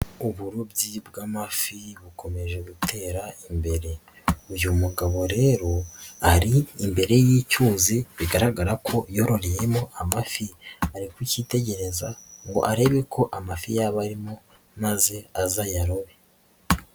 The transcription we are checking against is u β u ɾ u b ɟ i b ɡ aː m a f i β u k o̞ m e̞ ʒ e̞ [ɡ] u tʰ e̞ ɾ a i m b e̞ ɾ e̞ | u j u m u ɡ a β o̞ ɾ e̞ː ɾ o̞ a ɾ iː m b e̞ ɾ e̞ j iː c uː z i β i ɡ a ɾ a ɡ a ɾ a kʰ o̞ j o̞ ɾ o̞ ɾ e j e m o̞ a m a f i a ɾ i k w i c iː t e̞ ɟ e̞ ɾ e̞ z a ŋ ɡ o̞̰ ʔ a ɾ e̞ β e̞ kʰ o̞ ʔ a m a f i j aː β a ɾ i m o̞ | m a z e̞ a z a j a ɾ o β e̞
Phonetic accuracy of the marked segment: correct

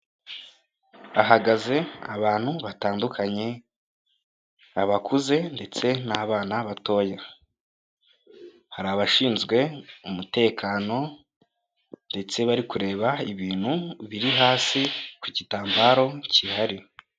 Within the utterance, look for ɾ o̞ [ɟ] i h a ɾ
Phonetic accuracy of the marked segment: incorrect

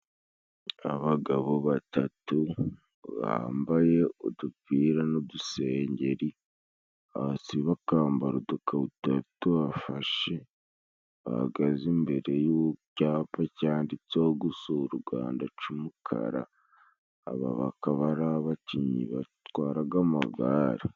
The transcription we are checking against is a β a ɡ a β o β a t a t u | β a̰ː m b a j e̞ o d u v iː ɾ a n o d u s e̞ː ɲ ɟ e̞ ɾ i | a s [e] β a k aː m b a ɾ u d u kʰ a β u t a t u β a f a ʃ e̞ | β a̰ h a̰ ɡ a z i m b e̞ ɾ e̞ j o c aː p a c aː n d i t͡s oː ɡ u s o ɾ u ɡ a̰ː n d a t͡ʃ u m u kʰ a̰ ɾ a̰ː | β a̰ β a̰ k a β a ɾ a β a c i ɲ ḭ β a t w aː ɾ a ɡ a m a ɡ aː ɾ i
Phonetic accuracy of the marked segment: incorrect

